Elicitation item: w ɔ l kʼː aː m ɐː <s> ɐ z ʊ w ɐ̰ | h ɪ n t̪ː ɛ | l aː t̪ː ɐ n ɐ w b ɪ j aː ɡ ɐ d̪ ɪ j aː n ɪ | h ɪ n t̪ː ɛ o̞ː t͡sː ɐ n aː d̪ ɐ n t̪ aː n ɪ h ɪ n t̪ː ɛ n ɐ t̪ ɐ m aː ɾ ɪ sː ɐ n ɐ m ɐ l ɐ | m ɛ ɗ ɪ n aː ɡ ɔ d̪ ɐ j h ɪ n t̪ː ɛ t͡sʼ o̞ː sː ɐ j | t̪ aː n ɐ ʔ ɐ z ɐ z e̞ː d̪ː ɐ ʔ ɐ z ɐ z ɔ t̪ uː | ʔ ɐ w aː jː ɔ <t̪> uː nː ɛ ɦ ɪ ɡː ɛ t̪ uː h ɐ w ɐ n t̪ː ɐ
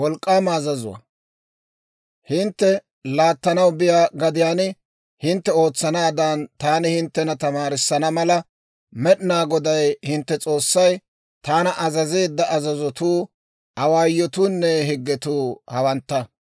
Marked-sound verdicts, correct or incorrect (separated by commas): incorrect, correct